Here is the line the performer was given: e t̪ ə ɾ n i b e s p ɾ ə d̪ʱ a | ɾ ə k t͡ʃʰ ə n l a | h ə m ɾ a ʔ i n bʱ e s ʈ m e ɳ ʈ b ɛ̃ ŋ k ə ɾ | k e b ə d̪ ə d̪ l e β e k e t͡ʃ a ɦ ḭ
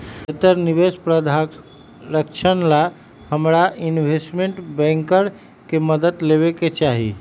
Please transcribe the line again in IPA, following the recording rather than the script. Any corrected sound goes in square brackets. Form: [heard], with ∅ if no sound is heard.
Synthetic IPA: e t̪ ə ɾ n i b e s p ɾ ə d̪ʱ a | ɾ ə k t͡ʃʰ ə n l a | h ə m ɾ a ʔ i n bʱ e s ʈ m e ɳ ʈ b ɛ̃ ŋ k ə ɾ | k e [m] ə d̪ ə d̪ l e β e k e t͡ʃ a ɦ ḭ